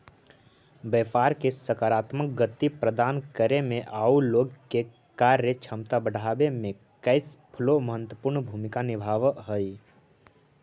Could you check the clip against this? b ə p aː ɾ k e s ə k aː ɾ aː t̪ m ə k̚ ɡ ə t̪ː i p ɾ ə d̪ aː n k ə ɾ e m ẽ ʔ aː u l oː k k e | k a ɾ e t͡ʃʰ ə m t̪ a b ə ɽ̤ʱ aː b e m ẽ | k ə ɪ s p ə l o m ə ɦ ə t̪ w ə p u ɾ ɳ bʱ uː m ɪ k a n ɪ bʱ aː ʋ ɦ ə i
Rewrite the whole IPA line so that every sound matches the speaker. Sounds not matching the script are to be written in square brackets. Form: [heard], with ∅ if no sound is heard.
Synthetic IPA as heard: b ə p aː ɾ k e s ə k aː ɾ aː t̪ m ə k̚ ɡ ə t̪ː i p ɾ ə d̪ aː n k ə ɾ e m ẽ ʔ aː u l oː [ɡ] k e | k a ɾ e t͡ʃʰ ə m t̪ a b ə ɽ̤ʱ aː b e m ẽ | k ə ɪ s [pʰ] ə l o m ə ɦ ə t̪ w ə p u ɾ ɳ bʱ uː m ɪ k a n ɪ bʱ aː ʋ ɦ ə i